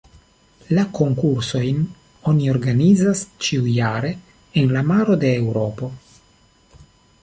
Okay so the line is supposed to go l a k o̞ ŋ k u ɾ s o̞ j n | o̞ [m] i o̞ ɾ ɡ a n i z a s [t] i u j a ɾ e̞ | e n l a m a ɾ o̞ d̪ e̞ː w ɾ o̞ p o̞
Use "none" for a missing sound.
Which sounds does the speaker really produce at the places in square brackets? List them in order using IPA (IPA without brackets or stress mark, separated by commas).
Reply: n, t͡ʃ